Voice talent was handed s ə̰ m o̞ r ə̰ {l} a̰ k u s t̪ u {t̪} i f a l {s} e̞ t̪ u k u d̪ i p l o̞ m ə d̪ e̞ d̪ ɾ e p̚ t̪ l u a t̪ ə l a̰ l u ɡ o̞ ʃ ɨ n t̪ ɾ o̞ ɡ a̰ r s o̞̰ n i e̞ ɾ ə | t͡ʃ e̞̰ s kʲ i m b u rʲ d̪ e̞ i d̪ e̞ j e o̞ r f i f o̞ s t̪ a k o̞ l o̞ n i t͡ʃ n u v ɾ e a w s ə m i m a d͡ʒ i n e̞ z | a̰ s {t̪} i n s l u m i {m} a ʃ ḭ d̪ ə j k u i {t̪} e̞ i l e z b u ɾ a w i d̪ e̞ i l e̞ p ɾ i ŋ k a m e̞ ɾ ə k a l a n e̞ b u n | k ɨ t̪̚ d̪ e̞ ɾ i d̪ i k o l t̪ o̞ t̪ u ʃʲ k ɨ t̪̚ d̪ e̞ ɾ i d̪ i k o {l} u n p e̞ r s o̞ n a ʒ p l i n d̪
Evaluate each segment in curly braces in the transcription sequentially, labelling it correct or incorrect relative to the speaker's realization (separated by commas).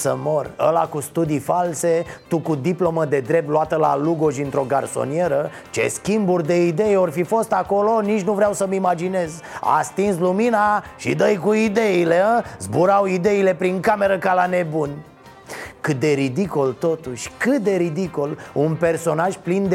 correct, incorrect, correct, correct, incorrect, incorrect, correct